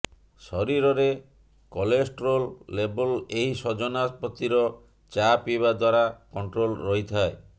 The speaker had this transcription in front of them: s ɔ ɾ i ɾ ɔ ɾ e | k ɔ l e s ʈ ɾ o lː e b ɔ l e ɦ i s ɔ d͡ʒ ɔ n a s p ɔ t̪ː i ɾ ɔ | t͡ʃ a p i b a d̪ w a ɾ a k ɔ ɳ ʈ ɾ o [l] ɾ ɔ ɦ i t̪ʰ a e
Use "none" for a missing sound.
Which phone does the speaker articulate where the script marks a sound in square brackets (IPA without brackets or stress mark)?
l